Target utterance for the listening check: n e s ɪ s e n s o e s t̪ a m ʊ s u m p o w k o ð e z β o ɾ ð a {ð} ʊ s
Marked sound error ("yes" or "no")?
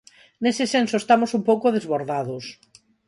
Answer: no